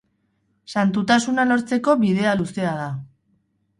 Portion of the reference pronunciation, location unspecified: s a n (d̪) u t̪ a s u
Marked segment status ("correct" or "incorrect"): incorrect